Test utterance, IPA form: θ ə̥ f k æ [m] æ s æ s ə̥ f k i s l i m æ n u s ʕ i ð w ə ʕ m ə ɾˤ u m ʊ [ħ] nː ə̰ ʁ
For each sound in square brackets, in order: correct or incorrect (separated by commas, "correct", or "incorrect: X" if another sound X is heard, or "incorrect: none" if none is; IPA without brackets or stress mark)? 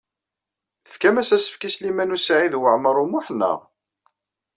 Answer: correct, correct